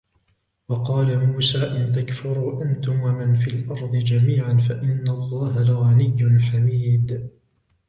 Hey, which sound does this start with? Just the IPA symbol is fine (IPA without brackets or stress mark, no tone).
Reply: w